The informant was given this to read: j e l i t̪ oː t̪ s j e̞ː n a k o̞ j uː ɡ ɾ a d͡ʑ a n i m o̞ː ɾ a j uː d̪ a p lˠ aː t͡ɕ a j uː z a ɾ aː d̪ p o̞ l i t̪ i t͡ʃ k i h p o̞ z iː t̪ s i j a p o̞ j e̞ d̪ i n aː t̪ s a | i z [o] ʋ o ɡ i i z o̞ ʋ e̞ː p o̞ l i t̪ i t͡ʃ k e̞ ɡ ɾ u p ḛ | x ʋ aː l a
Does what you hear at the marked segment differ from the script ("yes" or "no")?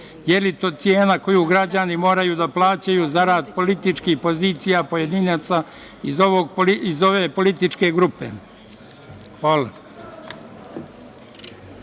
no